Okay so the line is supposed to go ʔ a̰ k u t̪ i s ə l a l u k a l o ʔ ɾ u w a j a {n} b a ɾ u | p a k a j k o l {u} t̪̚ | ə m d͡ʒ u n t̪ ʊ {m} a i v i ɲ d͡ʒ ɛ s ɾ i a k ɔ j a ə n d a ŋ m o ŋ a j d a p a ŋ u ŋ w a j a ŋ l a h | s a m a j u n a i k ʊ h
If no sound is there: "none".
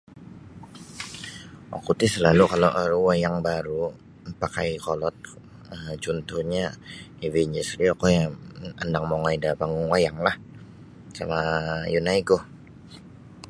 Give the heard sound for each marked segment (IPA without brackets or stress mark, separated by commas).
ŋ, ɔ, ɲ